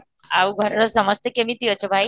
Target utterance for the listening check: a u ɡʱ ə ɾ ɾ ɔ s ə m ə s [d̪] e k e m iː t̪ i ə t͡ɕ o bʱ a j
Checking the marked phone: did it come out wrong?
yes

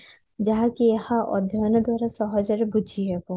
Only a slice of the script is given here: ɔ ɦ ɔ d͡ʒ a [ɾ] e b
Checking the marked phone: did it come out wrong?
no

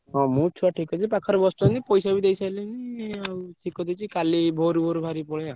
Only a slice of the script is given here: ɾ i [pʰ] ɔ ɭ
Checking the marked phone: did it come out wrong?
yes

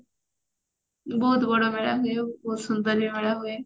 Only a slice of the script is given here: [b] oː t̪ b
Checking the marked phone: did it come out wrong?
no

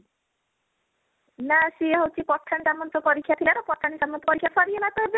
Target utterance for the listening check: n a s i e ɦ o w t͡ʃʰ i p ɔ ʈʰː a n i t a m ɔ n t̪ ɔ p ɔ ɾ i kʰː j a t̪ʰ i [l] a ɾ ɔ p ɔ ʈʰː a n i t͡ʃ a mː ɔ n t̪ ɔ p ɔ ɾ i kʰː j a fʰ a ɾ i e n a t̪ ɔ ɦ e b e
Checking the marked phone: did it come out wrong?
no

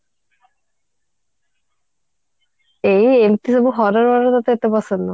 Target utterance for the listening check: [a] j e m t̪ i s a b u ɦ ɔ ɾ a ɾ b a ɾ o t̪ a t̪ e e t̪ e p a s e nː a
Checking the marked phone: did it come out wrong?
yes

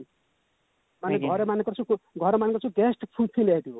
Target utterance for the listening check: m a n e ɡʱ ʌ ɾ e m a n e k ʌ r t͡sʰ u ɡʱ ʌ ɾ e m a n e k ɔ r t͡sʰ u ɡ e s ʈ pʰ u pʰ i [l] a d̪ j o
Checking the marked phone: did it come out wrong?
no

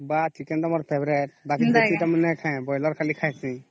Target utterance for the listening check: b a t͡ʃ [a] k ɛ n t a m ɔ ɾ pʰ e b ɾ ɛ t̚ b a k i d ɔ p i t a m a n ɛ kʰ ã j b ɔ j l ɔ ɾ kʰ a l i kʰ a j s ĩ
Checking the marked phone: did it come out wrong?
yes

